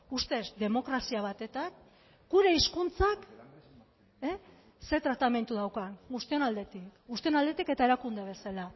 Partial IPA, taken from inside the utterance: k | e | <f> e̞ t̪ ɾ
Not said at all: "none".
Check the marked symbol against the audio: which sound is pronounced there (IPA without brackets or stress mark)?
s